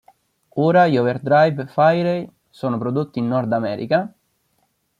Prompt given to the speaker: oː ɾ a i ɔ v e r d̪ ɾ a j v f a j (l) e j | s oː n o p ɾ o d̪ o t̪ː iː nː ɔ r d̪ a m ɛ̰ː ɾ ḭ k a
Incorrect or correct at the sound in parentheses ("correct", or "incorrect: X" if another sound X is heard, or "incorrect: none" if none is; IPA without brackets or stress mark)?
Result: incorrect: ɾ